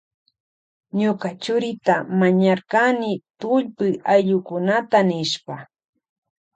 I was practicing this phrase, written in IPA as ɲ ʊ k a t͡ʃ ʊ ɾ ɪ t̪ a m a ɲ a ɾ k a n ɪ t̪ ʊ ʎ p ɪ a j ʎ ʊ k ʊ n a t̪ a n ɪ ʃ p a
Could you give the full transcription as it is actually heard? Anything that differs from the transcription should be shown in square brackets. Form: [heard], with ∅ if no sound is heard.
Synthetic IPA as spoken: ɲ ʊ k a t͡ʃ ʊ ɾ ɪ t̪ a m a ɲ a ɾ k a n ɪ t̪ ʊ ʎ p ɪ a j ʎ ʊ k ʊ n a t̪ a n ɪ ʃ p a